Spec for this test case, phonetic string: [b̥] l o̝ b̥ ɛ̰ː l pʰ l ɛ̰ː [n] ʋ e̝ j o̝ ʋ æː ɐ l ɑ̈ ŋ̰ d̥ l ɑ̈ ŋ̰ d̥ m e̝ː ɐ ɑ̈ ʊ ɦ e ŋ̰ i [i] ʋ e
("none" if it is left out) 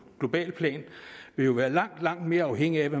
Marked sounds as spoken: ɡ̥, n, æ

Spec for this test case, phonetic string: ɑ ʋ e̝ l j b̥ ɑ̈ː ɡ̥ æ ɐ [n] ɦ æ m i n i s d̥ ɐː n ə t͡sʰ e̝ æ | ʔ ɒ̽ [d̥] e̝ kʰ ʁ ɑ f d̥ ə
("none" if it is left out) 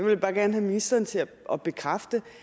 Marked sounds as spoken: n, b̥

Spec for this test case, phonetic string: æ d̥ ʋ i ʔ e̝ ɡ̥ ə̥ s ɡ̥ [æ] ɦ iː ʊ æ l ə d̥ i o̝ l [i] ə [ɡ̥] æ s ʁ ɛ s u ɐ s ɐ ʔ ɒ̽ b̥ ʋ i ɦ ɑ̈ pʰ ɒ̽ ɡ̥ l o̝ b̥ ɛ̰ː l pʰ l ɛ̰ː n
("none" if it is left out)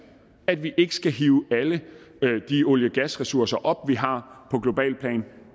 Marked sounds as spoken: æ, j, ɡ̥

